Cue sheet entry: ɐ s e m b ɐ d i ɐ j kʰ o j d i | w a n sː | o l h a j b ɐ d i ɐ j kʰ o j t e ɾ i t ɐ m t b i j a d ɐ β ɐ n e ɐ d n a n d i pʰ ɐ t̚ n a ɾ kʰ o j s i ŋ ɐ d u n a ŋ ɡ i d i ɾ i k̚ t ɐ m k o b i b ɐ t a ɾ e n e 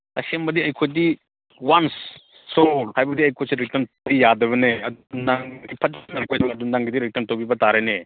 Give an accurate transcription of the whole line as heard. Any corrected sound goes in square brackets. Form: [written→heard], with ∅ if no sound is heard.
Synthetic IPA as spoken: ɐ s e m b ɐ d i ɐ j kʰ o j d i | w a n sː | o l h a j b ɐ d i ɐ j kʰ o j [t→s] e ɾ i t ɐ m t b i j a d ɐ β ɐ n e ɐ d n a [n→ŋ] d i pʰ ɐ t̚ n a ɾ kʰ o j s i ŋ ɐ d u n a ŋ ɡ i d i ɾ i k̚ t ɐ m [k→t] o b i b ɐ t a ɾ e n e